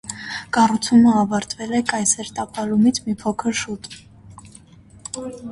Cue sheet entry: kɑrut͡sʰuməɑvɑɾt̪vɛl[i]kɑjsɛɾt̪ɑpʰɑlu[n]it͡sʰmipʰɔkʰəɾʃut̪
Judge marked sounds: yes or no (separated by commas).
no, no